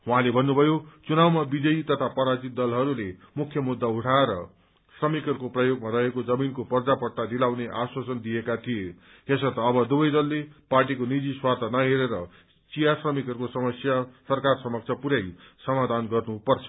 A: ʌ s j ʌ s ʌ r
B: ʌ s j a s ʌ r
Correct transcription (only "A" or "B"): B